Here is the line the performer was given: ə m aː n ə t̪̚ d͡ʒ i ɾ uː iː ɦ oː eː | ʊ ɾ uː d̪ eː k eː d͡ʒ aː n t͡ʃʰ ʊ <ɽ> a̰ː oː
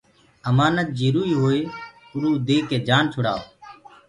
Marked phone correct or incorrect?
correct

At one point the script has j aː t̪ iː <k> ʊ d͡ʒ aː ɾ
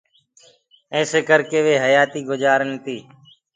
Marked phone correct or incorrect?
incorrect: ɡ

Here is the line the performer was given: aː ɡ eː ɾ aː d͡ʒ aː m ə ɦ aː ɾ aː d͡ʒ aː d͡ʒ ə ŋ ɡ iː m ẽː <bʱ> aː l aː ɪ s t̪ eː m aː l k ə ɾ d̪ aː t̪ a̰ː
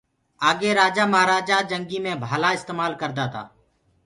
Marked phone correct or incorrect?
correct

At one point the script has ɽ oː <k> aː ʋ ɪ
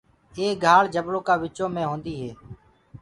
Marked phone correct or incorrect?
correct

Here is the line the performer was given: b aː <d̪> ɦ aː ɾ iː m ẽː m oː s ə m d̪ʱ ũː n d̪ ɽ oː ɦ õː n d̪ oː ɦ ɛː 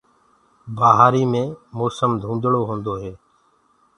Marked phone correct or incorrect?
incorrect: none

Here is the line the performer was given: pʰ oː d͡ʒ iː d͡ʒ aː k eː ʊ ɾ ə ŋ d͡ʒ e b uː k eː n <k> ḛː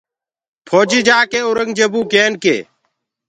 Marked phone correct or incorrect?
correct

